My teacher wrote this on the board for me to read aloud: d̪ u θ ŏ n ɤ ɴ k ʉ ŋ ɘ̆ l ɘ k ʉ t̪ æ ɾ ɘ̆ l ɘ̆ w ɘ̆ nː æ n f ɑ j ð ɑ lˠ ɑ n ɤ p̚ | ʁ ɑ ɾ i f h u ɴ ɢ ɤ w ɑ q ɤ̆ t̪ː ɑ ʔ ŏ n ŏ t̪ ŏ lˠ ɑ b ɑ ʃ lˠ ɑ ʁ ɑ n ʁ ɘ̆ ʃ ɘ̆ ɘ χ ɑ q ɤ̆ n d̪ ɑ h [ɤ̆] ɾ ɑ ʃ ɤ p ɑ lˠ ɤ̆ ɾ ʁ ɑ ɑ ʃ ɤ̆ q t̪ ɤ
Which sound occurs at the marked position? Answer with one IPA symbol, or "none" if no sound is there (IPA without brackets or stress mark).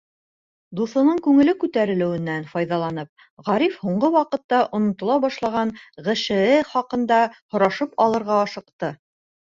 ŏ